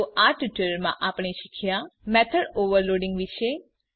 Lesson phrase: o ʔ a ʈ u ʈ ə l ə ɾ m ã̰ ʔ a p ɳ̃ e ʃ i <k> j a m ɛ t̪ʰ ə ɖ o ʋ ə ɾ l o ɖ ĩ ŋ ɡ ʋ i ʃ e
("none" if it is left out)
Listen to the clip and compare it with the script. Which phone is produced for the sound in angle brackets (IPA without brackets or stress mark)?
kʰ